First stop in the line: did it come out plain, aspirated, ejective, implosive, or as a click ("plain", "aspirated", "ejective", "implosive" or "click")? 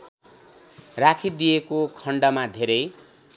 aspirated